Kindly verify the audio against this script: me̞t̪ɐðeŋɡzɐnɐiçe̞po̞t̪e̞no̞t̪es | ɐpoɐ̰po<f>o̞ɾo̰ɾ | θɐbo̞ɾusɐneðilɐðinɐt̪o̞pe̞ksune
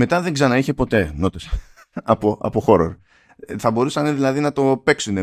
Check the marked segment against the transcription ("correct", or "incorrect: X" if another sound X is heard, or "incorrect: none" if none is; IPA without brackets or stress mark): incorrect: x